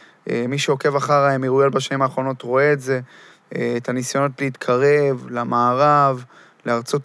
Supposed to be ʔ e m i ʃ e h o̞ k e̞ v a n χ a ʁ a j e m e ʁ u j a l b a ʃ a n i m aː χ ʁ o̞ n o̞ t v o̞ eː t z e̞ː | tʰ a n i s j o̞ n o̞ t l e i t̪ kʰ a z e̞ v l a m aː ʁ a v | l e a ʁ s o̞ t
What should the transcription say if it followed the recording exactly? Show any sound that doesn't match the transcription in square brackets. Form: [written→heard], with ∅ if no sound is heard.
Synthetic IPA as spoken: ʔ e m i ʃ e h o̞ k e̞ v a [n→∅] χ a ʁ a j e m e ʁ u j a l b a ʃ a n i m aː χ ʁ o̞ n o̞ t [v→ʁ] o̞ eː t z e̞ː | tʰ a n i s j o̞ n o̞ t l e i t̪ kʰ a [z→ʁ] e̞ v l a m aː ʁ a v | l e a ʁ [s→t͡s] o̞ t